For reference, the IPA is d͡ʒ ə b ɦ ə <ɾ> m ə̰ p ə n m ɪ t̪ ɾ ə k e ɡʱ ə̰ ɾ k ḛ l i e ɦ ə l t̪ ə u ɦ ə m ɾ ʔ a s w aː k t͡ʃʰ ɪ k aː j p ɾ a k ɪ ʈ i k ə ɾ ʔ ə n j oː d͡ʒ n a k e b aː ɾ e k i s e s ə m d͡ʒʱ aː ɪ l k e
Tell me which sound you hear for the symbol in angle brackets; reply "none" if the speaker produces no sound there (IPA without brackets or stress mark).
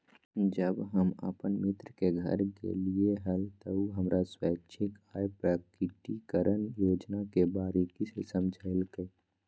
none